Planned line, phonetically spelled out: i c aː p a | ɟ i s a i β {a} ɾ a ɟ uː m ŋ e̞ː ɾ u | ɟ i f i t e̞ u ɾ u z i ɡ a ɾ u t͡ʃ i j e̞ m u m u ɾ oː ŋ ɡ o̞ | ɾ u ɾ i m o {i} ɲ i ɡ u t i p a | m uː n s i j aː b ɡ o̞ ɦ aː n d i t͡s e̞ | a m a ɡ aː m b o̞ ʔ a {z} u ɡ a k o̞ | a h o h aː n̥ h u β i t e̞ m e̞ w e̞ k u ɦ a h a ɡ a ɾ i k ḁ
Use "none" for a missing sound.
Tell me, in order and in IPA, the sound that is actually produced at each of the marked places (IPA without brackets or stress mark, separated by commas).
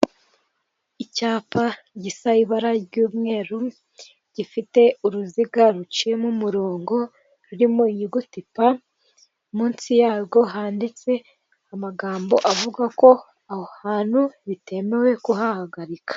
a, i, v